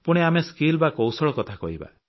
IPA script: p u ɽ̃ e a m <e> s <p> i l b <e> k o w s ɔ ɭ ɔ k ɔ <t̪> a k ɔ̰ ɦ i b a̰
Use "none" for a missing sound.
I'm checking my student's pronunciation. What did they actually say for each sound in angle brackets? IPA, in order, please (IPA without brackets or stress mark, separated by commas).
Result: e, k, a, t̪ʰ